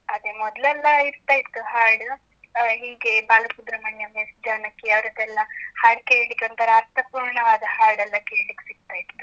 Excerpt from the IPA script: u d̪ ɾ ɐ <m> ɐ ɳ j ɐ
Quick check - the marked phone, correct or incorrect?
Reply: correct